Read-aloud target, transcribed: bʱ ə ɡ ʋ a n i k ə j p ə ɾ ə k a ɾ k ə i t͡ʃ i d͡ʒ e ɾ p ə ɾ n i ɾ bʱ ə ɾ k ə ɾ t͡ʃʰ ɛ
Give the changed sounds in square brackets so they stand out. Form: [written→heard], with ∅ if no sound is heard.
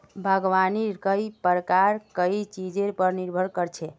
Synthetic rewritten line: bʱ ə ɡ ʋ a n i k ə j p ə ɾ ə k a ɾ k ə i t͡ʃ i d͡ʒ e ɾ p ə ɾ n i ɾ bʱ ə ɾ k ə ɾ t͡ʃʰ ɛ

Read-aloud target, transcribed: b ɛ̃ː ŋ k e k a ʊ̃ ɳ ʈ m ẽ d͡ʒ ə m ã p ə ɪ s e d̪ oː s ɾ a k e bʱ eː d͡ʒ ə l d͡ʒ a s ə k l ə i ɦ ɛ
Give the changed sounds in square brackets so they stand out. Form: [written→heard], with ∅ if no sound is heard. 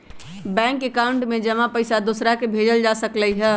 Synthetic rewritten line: b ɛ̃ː ŋ k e k a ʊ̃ ɳ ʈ m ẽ d͡ʒ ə m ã p ə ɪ s [e→a] d̪ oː s ɾ a k e bʱ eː d͡ʒ ə l d͡ʒ a s ə k l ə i ɦ ɛ

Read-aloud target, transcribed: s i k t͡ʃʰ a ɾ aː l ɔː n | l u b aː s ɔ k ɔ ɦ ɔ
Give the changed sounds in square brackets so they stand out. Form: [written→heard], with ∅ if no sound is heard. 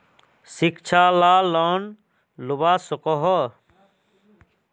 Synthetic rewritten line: s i k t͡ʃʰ a [ɾ→l] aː l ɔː n | l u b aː s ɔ k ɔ ɦ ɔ

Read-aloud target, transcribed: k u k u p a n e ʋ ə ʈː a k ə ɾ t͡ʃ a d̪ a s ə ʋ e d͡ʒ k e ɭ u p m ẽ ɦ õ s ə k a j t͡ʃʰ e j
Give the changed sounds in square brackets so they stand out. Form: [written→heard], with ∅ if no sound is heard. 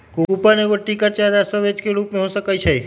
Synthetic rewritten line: k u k u p a n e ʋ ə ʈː [a→i] k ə ɾ t͡ʃ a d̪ a s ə ʋ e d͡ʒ k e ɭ u p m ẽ ɦ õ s ə k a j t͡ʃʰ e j

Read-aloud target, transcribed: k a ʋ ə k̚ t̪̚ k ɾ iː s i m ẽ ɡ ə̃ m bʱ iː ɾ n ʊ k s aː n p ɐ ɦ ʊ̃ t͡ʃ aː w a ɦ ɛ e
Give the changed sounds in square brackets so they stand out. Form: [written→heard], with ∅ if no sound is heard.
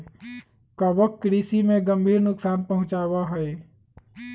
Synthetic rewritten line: k a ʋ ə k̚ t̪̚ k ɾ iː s i m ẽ ɡ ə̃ m bʱ iː ɾ n ʊ k s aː n p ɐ ɦ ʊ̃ t͡ʃ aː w a ɦ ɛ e

